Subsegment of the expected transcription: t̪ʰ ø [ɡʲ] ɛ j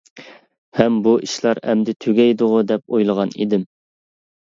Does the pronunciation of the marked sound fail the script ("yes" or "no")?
no